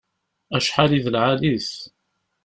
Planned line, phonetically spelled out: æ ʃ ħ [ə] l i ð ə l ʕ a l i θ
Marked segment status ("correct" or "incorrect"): incorrect